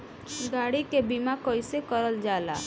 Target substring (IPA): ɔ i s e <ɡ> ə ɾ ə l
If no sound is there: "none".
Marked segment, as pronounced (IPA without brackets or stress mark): k